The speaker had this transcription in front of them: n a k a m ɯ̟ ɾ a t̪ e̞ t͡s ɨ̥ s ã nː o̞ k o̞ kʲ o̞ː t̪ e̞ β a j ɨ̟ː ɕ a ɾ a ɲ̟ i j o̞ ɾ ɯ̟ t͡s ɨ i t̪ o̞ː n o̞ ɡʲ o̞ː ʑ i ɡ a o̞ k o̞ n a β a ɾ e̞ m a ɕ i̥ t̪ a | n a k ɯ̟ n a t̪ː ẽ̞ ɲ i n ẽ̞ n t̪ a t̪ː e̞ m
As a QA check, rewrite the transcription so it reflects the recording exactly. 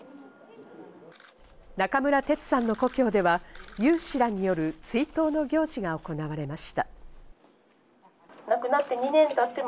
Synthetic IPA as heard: n a k a m ɯ̟ ɾ a t̪ e̞ t͡s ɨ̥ s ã nː o̞ k o̞ kʲ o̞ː d̪ e̞ β a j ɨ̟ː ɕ i ɾ a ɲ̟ i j o̞ ɾ ɯ̟ t͡s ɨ i t̪ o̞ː n o̞ ɡʲ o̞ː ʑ i ɡ a o̞ k o̞ n a β a ɾ e̞ m a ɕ i̥ t̪ a | n a k ɯ̟ n a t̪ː e̞ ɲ i n ẽ̞ n t̪ a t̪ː e̞ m